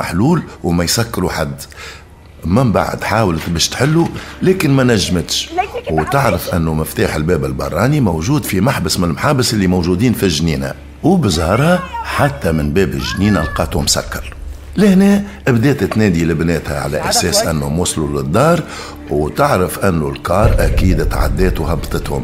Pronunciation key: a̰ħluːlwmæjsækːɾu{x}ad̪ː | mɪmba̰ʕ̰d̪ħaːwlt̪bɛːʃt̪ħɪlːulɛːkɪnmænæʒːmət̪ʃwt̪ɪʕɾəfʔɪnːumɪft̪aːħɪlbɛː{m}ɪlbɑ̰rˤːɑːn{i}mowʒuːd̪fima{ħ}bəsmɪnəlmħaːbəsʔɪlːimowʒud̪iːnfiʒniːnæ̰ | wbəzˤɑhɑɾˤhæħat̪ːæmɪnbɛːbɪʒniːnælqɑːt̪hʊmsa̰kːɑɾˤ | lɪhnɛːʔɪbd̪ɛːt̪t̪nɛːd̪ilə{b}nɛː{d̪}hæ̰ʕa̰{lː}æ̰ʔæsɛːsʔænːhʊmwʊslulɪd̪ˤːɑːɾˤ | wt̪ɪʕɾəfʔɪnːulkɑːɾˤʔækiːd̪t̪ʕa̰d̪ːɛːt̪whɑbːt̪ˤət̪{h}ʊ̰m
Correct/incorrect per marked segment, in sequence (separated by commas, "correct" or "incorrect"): incorrect, incorrect, correct, correct, correct, incorrect, incorrect, correct